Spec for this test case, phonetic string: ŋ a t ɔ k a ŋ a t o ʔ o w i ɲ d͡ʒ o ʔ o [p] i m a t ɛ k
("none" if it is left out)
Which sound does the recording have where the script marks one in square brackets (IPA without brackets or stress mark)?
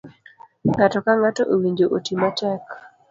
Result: t